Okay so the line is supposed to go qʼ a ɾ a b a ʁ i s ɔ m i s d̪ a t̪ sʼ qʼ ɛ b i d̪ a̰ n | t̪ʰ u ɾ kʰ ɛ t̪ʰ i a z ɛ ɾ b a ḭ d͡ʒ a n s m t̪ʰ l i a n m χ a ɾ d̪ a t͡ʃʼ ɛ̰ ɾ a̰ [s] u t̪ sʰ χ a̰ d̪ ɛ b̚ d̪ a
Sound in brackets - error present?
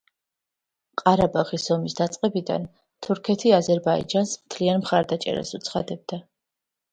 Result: no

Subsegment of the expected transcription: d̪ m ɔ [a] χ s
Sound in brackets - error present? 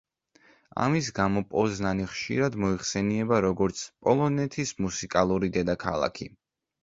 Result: yes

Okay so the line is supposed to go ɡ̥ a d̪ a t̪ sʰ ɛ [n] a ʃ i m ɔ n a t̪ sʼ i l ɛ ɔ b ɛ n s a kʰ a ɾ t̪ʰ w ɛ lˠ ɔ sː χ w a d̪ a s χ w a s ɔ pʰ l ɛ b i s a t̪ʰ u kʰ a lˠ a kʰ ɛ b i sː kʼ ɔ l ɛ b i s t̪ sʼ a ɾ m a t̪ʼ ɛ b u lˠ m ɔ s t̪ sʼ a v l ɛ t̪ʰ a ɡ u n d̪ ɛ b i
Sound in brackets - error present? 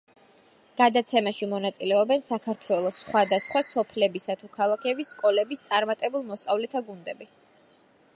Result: yes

